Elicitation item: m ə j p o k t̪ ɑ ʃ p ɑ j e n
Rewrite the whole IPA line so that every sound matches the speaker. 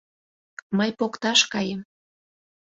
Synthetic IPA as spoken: m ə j p o k t̪ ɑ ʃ k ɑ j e m